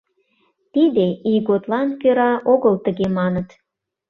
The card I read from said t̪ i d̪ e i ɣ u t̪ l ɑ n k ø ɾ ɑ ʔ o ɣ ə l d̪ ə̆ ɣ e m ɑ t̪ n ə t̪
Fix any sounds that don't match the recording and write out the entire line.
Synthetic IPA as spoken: t̪ i d̪ e i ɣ o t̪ l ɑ n k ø ɾ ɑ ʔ o ɣ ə l t̪ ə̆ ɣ e m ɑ n ə t̪